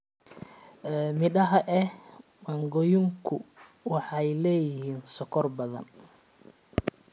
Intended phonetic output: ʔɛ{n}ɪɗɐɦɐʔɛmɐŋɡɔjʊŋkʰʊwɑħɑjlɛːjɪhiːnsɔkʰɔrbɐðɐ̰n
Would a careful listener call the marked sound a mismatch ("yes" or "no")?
yes